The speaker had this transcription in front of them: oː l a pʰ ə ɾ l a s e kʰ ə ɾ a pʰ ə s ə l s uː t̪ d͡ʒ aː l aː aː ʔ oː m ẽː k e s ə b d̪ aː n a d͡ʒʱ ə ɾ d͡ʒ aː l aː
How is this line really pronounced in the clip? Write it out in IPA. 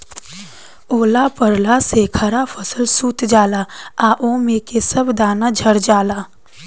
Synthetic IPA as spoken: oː l a p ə ɾ l a s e kʰ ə ɾ a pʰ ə s ə l s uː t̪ d͡ʒ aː l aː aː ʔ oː m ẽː k e s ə b d̪ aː n a d͡ʒʱ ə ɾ d͡ʒ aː l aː